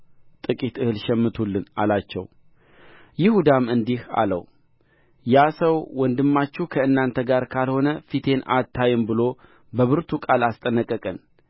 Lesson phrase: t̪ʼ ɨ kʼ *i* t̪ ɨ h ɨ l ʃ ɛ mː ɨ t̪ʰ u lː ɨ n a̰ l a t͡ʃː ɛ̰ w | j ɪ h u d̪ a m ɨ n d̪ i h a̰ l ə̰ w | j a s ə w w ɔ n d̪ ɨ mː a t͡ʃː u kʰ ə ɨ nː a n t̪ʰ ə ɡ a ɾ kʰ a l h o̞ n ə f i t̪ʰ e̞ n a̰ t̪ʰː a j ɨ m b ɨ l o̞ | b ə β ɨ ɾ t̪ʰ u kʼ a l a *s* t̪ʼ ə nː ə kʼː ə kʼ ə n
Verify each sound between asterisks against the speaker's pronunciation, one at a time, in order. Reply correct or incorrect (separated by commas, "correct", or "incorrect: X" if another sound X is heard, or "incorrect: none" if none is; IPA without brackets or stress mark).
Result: correct, correct